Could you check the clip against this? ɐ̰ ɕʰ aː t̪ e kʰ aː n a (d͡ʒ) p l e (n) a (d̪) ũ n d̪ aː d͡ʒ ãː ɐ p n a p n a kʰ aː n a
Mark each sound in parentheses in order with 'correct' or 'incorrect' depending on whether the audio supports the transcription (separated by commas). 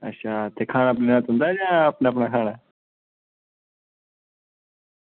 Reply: incorrect, correct, incorrect